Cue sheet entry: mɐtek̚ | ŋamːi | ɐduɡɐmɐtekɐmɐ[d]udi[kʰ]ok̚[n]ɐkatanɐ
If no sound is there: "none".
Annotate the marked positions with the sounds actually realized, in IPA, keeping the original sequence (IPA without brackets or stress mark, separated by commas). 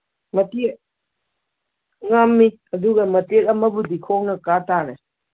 b, kʰ, n